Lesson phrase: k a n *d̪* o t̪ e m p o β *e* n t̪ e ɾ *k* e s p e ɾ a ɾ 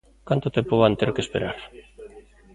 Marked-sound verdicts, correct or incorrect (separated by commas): incorrect, incorrect, correct